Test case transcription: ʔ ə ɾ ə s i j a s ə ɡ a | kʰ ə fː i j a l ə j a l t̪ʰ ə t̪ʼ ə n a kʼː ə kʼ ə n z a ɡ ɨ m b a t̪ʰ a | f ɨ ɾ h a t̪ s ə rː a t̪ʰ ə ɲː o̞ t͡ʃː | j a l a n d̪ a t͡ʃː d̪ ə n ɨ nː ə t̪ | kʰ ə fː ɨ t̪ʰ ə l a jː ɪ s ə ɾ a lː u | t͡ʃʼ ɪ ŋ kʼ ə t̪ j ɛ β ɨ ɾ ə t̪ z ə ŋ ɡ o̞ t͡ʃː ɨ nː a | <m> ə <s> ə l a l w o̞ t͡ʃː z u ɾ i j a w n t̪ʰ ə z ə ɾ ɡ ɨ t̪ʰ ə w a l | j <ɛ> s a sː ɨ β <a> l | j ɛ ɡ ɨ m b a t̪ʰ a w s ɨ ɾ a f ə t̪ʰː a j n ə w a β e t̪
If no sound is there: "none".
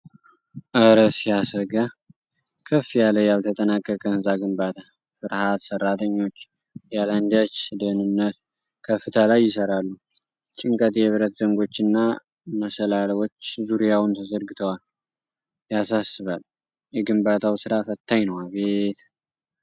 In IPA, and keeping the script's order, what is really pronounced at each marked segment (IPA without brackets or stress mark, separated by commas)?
m, s, a, a